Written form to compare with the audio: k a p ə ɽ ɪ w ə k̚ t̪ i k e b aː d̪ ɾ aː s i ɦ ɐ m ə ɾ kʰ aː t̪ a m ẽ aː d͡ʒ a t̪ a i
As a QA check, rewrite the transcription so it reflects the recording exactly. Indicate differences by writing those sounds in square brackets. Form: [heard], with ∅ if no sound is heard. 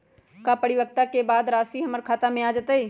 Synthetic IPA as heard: k a p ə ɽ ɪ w ə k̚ t̪ [a] k e b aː d̪ ɾ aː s i ɦ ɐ m ə ɾ kʰ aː t̪ a m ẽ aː d͡ʒ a t̪ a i